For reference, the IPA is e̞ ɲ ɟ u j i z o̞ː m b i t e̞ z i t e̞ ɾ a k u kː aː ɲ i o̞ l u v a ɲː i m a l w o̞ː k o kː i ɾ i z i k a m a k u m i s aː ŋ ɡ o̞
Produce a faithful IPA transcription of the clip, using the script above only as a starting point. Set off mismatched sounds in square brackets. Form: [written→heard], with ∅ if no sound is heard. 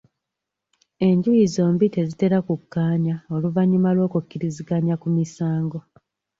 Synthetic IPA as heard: e̞ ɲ ɟ u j i z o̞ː m b i t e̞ z i t e̞ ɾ a k u kː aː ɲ [i→a] o̞ l u v a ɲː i m a l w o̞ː k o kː i ɾ i z i [k→ɡ] a [m→ɲ] a k u m i s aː ŋ ɡ o̞